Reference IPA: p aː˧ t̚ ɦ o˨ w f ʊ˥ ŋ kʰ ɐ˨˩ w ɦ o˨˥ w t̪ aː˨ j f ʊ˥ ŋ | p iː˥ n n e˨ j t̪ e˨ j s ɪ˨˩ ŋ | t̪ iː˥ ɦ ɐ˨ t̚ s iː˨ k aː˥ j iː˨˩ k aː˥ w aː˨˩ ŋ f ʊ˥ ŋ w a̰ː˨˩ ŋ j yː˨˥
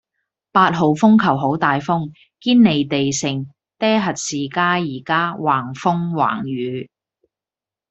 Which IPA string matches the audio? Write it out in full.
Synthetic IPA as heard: p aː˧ t̚ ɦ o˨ w f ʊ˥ ŋ kʰ ɐ˨˩ w ɦ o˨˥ w t̪ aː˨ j f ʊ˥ ŋ | k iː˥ n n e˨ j t̪ e˨ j s ɪ˨˩ ŋ | t̪ ɛː˥ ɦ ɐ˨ t̚ s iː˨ k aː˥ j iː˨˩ k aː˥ w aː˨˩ ŋ f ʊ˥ ŋ w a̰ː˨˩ ŋ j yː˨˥